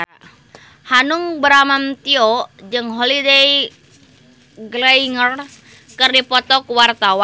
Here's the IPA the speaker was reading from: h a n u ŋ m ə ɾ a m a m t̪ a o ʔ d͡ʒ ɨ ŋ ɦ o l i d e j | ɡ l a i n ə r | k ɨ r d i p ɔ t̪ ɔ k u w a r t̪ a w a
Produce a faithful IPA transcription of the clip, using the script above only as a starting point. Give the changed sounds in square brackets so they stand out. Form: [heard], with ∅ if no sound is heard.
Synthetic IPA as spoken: h a n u ŋ [b] ə ɾ a m a m t̪ [i] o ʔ d͡ʒ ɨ ŋ ɦ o l i d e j | ɡ l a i [ŋ] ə r | k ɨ r d i p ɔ t̪ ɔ k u w a r t̪ a w a